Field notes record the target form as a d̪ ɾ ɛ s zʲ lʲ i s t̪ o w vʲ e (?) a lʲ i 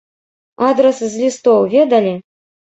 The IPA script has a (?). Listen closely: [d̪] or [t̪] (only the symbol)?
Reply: d̪